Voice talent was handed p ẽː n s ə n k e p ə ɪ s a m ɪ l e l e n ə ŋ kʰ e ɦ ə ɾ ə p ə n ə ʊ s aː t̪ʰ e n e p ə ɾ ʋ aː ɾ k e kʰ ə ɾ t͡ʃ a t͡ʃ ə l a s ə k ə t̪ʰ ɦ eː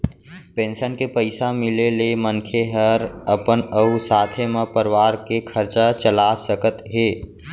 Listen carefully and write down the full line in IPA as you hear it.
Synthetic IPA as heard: p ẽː n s ə n k e p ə ɪ s a m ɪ l e l e m ə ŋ kʰ e ɦ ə ɾ ə p ə n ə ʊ s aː t̪ʰ e m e p ə ɾ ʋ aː ɾ k e kʰ ə ɾ t͡ʃ a t͡ʃ ə l a s ə k ə t̪ ɦ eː

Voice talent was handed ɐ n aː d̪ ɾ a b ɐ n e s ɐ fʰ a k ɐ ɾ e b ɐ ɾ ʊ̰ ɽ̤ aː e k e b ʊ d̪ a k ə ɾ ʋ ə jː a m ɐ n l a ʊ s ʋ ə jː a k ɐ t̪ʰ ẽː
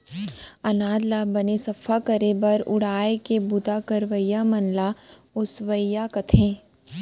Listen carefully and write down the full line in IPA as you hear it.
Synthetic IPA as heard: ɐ n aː d̪ l a b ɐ n e s ɐ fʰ a k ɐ ɾ e b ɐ ɾ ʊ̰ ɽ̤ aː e k e b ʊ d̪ a k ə ɾ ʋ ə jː a m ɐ n l a ʊ s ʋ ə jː a k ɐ t̪ʰ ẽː

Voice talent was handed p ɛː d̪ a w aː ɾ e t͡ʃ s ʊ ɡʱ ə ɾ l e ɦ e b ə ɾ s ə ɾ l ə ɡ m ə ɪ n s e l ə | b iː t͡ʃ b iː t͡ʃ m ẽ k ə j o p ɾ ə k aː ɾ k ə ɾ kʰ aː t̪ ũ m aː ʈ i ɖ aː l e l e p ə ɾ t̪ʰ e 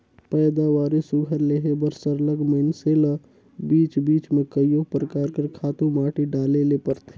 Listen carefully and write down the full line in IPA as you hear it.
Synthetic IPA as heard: p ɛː d̪ a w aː ɾ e s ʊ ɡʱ ə ɾ l e ɦ e b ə ɾ s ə ɾ l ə ɡ m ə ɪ n s e l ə | b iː t͡ʃ b iː t͡ʃ m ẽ k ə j o p ɾ ə k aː ɾ k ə ɾ kʰ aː t̪ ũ m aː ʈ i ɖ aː l e l e p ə ɾ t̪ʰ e

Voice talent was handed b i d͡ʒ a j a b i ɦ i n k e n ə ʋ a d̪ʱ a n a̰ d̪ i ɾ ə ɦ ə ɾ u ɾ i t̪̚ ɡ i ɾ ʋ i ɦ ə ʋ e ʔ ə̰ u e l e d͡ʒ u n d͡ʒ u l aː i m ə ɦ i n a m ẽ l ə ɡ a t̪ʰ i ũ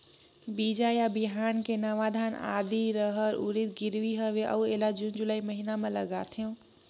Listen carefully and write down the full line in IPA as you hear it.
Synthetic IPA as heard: b i d͡ʒ a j a b i ɦ a n k e n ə ʋ a d̪ʱ a n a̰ d̪ i ɾ ə ɦ ə ɾ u ɾ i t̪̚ ɡ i ɾ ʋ i ɦ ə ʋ e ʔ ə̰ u e l a d͡ʒ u n d͡ʒ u l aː i m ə ɦ i n a m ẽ l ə ɡ a t̪ʰ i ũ

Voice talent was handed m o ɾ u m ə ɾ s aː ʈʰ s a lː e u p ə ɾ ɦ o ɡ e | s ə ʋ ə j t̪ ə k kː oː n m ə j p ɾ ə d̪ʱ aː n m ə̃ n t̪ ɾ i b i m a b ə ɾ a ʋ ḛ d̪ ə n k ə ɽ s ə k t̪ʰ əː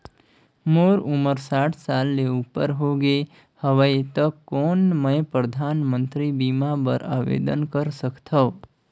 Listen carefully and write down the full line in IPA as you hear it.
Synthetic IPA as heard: m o ɾ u m ə ɾ s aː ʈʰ s a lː e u p ə ɾ ɦ o ɡ e | h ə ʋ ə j t̪ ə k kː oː n m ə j p ɾ ə d̪ʱ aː n m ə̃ n t̪ ɾ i b i m a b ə ɾ a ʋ ḛ d̪ ə n k ə ɾ s ə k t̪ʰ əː

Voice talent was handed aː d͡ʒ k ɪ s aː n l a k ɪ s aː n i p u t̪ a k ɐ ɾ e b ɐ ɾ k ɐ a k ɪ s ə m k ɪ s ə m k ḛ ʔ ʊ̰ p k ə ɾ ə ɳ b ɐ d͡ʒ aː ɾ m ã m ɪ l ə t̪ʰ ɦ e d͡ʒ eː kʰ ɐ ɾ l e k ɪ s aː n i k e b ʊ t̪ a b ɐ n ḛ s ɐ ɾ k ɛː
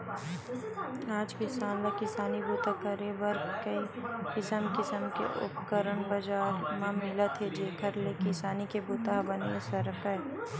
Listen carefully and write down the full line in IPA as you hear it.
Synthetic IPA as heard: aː d͡ʒ k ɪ s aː n l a k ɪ s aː n i b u t̪ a k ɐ ɾ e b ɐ ɾ k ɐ i k ɪ s ə m k ɪ s ə m k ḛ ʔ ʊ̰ p k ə ɾ ə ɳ b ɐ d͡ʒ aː ɾ m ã m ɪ l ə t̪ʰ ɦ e d͡ʒ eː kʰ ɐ ɾ l e k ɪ s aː n i k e b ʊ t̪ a b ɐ n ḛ s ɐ ɾ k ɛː

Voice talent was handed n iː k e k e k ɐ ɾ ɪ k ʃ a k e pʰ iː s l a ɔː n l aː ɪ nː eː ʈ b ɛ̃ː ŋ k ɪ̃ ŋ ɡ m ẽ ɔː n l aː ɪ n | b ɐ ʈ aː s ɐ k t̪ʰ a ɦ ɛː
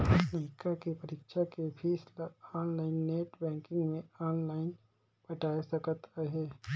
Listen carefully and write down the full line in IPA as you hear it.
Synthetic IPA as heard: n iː k a k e p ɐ ɾ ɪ k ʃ a k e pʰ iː s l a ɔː n l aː ɪ nː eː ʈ b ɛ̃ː ŋ k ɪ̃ ŋ ɡ m ẽ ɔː n l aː ɪ n | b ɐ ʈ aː s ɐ k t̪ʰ a ɦ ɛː

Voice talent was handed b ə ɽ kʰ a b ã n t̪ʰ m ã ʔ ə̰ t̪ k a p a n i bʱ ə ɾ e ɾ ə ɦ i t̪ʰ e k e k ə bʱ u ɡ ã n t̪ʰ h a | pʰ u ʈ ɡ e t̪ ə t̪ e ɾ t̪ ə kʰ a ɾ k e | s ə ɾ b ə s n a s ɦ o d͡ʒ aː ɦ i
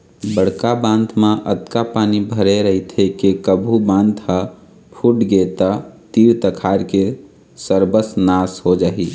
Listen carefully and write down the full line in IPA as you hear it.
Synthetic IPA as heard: b ə ɽ k a b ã n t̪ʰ m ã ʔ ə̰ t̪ k a p a n i bʱ ə ɾ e ɾ ə ɦ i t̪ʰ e k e k ə bʱ u b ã n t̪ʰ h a | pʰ u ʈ ɡ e t̪ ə t̪ i ɾ t̪ ə kʰ a ɾ k e | s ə ɾ b ə s n a s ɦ o d͡ʒ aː ɦ i

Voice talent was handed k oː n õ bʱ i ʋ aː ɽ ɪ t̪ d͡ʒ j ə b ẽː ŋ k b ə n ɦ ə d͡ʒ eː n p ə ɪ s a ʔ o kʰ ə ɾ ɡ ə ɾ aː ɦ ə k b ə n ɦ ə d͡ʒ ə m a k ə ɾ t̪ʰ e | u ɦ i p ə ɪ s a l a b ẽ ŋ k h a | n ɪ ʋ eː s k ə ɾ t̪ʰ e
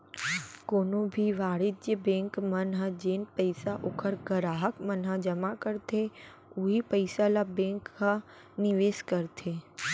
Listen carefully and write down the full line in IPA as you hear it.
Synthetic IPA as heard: k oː n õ bʱ i ʋ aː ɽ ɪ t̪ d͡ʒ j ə b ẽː ŋ k m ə n ɦ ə d͡ʒ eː n p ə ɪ s a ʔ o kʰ ə ɾ ɡ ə ɾ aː ɦ ə k m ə n ɦ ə d͡ʒ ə m a k ə ɾ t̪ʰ e | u ɦ i p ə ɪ s a l a b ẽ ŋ k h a | n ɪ ʋ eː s k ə ɾ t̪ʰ e

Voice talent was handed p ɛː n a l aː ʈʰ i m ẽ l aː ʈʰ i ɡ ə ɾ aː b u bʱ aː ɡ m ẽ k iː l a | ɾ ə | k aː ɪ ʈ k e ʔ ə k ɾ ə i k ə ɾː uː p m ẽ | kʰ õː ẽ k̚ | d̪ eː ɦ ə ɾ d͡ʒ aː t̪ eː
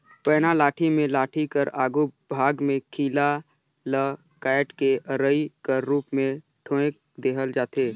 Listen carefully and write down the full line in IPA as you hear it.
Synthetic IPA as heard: p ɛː n a l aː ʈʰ i m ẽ l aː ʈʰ i k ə ɾ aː ɡ u bʱ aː ɡ m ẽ kʰ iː l a | l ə | k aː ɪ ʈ k e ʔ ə ɾ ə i k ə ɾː uː p m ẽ | ʈʰ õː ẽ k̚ | d̪ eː ɦ ə l d͡ʒ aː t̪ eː

